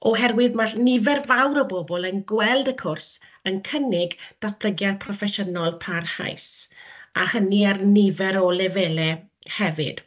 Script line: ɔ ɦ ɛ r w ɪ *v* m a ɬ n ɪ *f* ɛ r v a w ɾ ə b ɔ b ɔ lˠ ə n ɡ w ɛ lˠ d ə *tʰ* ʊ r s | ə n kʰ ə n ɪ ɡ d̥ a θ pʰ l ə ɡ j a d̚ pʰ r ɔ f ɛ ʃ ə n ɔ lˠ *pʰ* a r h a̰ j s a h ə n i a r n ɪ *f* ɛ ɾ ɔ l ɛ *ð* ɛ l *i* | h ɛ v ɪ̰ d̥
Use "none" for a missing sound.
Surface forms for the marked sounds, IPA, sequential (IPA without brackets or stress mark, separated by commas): ð, v, kʰ, pʰ, v, v, ɛ